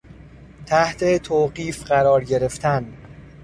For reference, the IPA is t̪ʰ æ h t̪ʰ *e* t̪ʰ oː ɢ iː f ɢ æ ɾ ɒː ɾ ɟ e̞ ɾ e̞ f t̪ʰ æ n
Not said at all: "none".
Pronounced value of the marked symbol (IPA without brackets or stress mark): e